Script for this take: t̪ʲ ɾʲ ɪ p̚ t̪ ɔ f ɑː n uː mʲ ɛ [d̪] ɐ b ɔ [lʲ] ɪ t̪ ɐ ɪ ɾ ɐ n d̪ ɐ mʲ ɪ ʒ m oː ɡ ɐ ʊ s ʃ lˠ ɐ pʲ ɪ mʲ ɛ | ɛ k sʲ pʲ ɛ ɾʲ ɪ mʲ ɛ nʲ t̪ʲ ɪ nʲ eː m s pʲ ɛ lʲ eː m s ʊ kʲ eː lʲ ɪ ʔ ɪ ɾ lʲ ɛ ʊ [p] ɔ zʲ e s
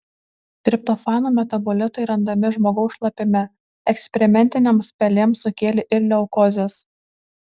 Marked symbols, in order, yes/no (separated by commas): no, yes, no